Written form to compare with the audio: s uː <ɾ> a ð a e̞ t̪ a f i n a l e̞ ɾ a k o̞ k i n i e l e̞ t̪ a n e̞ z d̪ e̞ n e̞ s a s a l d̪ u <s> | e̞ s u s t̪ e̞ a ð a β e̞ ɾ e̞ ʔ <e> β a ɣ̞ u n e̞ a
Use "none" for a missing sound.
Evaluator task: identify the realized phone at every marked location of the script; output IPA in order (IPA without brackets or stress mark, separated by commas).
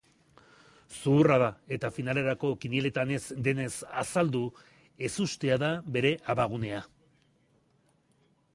r, none, a